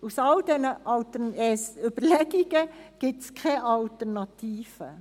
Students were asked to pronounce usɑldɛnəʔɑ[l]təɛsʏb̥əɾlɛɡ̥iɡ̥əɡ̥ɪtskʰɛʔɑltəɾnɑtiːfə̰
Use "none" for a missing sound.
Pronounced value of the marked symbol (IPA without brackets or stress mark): l